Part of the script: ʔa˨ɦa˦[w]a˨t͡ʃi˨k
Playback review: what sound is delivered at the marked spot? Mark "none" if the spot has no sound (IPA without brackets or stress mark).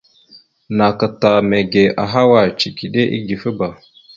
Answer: w